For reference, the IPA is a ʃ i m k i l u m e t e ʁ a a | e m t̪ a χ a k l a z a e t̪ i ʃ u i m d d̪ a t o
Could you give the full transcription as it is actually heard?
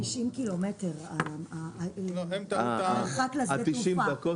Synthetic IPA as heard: i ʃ i m k i l o m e t e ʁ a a | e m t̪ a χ a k l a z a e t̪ i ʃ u i m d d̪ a k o